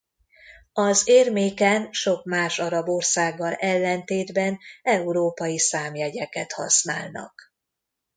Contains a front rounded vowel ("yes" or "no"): no